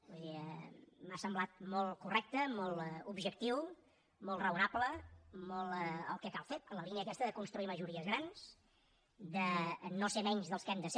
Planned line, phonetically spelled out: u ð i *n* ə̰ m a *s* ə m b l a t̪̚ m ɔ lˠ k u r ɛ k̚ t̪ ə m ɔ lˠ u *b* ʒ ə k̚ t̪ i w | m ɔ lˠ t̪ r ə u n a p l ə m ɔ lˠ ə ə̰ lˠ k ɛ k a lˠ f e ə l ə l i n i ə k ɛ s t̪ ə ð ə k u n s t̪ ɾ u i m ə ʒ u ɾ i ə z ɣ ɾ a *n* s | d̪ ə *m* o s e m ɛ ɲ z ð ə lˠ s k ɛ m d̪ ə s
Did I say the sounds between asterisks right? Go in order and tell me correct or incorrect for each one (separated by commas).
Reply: incorrect, correct, correct, correct, incorrect